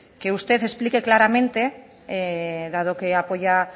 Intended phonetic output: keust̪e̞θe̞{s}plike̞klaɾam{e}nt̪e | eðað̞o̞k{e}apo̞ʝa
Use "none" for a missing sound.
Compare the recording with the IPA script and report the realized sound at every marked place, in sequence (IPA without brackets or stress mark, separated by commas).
s, ẽ, e